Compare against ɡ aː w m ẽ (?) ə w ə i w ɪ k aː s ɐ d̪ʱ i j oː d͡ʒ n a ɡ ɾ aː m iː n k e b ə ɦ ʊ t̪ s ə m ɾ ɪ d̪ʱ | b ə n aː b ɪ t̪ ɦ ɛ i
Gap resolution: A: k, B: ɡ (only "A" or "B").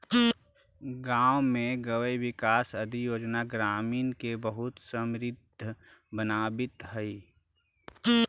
B